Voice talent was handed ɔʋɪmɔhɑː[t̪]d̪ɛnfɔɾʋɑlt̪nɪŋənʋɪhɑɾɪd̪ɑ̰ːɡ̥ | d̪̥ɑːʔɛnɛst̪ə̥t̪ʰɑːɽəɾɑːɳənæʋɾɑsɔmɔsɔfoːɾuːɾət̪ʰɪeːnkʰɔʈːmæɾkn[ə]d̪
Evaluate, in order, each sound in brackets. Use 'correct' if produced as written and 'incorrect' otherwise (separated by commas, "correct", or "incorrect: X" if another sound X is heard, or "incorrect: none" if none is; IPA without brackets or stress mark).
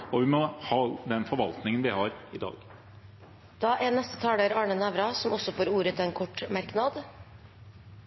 incorrect: none, incorrect: ɑ